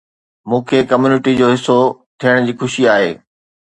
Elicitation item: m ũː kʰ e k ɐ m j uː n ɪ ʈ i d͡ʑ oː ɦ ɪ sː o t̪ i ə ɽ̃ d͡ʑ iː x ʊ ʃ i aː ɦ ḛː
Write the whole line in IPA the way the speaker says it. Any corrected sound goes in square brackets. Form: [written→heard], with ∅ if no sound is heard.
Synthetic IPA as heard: m ũː kʰ e k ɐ m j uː n ɪ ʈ i d͡ʑ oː ɦ ɪ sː o [t̪→t̪ʰ] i ə ɽ̃ d͡ʑ iː x ʊ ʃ i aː ɦ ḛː